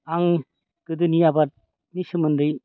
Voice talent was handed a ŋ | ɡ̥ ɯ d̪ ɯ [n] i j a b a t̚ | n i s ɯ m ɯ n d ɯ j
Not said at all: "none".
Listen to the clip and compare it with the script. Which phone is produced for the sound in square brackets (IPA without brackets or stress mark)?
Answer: n